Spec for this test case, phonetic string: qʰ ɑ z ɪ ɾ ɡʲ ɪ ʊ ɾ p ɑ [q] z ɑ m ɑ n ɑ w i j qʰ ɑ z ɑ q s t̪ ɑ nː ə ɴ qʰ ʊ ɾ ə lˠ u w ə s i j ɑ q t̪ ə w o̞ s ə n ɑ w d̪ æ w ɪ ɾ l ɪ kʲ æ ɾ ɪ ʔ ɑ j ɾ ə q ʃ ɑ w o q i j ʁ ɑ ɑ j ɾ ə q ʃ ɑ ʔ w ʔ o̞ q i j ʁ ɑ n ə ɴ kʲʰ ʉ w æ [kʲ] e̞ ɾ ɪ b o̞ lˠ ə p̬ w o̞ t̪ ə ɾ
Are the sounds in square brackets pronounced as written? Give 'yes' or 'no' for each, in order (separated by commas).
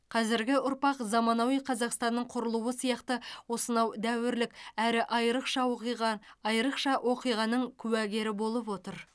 yes, no